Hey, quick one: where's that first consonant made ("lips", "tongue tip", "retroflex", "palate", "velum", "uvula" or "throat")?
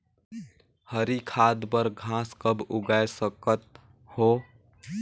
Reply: throat